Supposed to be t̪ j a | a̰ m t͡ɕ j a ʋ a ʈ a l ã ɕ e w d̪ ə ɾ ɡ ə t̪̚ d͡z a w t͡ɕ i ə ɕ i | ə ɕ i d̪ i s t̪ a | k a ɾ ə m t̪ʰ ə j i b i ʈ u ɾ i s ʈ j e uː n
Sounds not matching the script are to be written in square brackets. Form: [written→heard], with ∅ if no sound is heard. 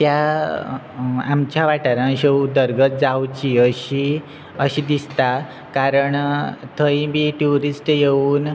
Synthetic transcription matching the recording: t̪ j a | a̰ m t͡ɕ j a ʋ a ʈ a [l→ɾ] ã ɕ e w d̪ ə ɾ ɡ ə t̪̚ d͡z a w t͡ɕ i ə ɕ i | ə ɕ i d̪ i s t̪ a | k a ɾ ə [m→ɳ] t̪ʰ ə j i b i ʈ u ɾ i s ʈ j e uː n